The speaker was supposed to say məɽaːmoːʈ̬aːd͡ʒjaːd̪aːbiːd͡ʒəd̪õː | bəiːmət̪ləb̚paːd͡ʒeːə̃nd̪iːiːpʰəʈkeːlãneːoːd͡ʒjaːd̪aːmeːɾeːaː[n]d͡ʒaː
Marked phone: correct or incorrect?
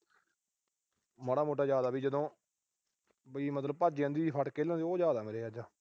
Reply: incorrect